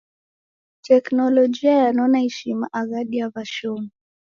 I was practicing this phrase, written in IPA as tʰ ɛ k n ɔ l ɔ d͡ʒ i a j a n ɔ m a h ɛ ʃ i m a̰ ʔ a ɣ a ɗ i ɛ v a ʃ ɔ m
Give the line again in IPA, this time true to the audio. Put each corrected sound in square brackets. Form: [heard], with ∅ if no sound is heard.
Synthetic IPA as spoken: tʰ ɛ k n ɔ l ɔ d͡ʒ i a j a n ɔ [n] a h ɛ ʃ i m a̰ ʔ a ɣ a ɗ i [a] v a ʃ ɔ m

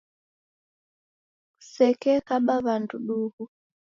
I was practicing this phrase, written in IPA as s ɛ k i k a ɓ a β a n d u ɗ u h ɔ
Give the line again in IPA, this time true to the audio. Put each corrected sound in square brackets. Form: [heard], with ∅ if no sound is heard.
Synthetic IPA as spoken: s ɛ k [ɛ] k a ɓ a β a n d u ɗ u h [u]

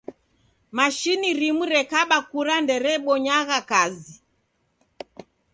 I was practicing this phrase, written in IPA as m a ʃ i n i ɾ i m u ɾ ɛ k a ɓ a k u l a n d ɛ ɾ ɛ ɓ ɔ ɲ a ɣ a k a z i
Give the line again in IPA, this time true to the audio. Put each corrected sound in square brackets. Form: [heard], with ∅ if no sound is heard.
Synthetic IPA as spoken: m a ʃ i n i ɾ i m u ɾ ɛ k a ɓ a k u [ɾ] a n d ɛ ɾ ɛ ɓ ɔ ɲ a ɣ a k a z i

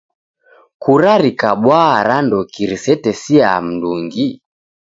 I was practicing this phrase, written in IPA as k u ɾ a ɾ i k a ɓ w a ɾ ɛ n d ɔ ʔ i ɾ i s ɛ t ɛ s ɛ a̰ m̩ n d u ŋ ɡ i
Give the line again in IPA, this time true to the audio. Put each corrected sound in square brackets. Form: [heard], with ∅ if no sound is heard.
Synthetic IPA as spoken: k u ɾ a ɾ i k a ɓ w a ɾ [a] n d ɔ [k] i ɾ i s ɛ t ɛ s [i] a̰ m̩ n d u ŋ ɡ i

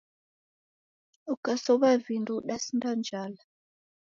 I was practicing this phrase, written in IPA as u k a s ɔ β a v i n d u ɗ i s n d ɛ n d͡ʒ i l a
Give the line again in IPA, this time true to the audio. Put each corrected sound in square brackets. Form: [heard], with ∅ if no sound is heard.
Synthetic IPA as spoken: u k a s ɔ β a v i n d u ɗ [a] s n d [a] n d͡ʒ [a] l a

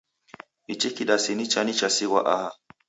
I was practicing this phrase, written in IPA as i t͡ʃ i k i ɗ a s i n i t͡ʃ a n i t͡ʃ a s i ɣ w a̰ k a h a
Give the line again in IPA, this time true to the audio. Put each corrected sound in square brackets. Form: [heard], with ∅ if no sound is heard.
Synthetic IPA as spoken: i t͡ʃ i k i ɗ a s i n i t͡ʃ a n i t͡ʃ a s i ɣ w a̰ [ʔ] a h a

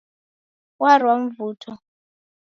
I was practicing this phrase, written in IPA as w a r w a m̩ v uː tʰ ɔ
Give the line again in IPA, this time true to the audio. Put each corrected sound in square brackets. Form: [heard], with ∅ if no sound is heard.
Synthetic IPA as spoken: w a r w a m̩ v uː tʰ ɔ

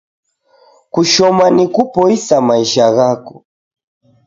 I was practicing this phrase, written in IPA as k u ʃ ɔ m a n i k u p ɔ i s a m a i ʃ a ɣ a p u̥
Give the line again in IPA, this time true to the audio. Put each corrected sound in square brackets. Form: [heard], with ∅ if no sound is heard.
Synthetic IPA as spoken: k u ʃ ɔ m a n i k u p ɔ i s a m a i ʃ a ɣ a [k] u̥

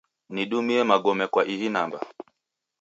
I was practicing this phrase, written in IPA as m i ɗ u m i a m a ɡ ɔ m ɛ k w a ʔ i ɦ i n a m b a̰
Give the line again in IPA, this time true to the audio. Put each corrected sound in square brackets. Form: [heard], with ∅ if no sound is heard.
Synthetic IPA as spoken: [n] i ɗ u m i [ɛ] m a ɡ ɔ m ɛ k w a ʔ i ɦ i n a m b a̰

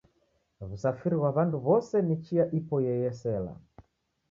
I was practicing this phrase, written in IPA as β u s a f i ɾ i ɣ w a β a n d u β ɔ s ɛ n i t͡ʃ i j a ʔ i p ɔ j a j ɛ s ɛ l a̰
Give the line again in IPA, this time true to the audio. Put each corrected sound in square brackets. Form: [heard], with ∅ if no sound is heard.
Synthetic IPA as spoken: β u s a f i ɾ i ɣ w a β a n d u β ɔ s ɛ n i t͡ʃ i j a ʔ i p ɔ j [ɛ] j ɛ s ɛ l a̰

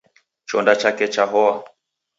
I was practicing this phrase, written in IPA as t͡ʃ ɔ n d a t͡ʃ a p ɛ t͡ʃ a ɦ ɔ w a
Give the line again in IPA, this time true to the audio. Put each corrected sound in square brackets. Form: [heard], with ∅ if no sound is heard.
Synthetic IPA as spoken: t͡ʃ ɔ n d a t͡ʃ a [k] ɛ t͡ʃ a ɦ ɔ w a

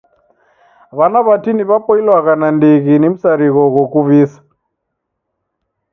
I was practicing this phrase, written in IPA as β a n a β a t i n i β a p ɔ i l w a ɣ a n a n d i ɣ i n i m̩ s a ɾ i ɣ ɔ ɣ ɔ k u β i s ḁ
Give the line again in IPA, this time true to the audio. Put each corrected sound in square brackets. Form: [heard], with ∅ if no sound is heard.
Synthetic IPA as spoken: β a n a β a t i n i β a p ɔ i l w a ɣ a n a n d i ɣ i n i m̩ s a ɾ i ɣ ɔ ɣ ɔ k u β i s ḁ

